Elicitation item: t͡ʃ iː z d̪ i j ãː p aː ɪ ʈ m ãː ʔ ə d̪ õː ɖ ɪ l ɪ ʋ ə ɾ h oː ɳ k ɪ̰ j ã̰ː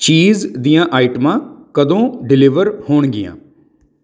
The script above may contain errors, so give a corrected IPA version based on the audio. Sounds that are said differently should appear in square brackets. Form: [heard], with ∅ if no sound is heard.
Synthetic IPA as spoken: t͡ʃ iː z d̪ i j ãː [ʔ] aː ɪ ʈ m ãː [k] ə d̪ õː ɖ ɪ l ɪ ʋ ə ɾ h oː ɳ [ɡ] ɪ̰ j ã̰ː